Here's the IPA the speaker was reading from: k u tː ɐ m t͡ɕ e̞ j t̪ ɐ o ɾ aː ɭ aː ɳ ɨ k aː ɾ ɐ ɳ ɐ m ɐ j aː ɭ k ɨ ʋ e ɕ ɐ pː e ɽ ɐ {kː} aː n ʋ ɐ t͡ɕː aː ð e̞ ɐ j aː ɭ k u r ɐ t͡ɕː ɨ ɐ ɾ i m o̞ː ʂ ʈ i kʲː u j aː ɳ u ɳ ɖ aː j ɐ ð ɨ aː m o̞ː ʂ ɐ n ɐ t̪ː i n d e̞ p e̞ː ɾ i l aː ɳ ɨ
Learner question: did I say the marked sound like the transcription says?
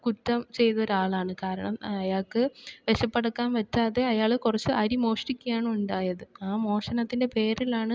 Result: yes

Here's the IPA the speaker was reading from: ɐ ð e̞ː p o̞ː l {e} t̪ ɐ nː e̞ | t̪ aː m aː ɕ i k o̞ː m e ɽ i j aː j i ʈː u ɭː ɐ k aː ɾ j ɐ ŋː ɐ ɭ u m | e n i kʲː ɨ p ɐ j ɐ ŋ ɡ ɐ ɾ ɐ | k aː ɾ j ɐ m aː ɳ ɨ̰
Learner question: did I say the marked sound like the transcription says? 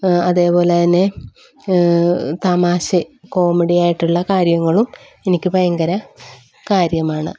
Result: yes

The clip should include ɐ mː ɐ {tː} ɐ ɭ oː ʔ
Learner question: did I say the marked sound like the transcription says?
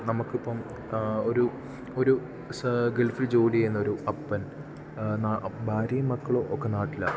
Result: no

